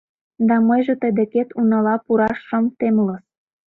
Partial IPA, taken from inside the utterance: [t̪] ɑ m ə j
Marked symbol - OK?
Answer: no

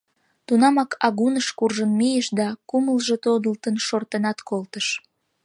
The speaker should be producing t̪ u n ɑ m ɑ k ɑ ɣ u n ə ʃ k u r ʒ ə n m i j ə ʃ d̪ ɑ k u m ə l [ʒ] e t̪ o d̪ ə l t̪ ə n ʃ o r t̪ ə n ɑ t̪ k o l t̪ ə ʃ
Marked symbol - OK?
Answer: yes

